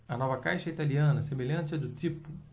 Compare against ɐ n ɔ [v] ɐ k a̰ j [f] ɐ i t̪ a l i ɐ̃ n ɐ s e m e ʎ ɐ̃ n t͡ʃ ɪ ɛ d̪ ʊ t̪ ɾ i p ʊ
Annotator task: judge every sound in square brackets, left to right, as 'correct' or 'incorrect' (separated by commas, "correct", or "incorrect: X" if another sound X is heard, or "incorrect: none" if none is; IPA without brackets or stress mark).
correct, incorrect: ʃ